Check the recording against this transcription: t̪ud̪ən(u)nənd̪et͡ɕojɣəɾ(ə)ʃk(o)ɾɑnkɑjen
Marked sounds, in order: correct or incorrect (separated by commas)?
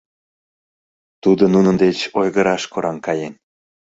correct, incorrect, correct